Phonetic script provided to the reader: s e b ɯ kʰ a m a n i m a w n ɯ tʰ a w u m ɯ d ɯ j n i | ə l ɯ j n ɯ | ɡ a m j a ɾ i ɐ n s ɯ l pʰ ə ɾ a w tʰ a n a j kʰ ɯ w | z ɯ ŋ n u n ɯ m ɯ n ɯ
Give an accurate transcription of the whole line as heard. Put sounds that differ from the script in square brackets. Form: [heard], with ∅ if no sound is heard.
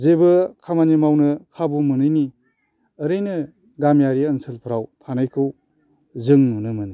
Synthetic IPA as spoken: [z] e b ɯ kʰ a m a n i m a w n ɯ [kʰ] a [b] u m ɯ [n] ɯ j n i | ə [ɾ] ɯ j n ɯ | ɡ a m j a ɾ i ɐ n s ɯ l pʰ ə ɾ a w tʰ a n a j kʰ ɯ w | z ɯ ŋ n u n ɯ m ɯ n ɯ